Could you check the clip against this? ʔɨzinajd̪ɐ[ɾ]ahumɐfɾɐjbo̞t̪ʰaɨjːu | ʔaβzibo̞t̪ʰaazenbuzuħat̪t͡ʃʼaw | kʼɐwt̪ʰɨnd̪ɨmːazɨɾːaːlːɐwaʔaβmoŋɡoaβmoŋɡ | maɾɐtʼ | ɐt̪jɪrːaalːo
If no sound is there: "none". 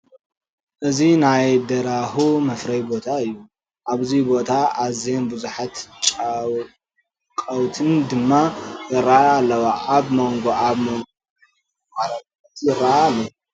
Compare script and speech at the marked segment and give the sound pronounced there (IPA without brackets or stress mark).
ɾ